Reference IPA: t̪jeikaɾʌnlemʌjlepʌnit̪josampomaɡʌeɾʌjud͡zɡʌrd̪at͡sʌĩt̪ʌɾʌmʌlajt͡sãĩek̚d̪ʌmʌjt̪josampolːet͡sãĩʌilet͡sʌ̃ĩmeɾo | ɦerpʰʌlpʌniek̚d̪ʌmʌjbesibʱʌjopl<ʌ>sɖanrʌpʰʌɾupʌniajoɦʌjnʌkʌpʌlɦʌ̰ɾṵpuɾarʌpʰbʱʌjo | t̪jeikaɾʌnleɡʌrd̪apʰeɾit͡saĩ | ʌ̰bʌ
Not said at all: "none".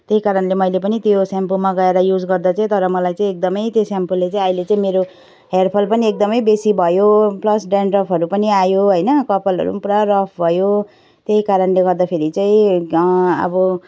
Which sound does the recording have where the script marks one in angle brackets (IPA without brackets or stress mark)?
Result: ʌ